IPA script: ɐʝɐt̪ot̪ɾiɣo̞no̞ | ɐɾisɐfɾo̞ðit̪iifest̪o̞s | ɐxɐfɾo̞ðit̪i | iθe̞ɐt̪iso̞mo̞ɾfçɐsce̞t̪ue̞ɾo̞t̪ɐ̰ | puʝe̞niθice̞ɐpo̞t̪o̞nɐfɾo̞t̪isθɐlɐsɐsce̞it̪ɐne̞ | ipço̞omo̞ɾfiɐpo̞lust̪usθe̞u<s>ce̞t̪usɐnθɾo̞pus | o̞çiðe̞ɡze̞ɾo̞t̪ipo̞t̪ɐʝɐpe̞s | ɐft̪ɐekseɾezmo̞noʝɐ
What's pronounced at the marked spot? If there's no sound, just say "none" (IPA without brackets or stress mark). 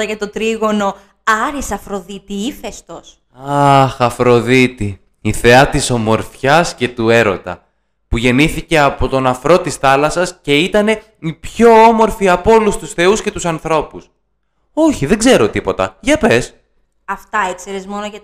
s